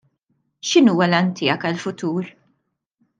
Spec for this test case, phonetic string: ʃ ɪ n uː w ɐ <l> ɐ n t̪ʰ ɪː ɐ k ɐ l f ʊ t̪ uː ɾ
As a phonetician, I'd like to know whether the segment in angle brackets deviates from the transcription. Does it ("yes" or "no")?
no